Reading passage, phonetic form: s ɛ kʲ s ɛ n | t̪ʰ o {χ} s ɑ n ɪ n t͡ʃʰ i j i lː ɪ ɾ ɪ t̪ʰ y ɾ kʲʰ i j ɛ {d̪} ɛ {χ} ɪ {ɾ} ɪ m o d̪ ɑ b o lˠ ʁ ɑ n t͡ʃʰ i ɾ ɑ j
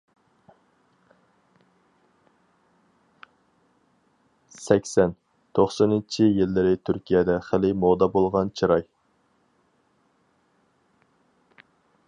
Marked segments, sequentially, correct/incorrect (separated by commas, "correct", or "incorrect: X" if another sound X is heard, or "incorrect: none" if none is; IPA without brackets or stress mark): correct, correct, correct, incorrect: l